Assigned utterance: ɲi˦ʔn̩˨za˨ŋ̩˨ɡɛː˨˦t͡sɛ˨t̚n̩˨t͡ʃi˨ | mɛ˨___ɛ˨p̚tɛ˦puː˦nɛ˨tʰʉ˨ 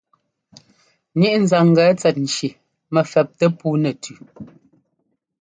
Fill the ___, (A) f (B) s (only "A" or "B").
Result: A